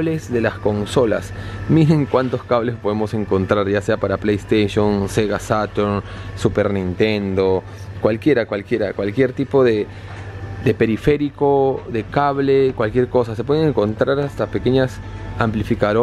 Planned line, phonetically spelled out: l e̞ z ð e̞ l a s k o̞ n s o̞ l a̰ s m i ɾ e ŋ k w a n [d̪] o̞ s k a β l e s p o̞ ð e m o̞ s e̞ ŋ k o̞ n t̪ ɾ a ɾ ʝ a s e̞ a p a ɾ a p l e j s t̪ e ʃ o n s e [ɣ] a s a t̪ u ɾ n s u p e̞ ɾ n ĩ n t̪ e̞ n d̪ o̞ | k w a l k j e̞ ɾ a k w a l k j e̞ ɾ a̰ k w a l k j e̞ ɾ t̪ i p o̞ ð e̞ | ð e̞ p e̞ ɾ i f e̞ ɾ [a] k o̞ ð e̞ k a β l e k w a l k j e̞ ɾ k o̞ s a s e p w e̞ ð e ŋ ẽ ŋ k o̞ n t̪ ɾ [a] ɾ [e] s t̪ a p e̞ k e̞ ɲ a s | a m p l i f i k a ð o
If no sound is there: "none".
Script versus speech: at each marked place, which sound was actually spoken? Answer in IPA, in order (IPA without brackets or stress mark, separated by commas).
t̪, ɣ, i, a, a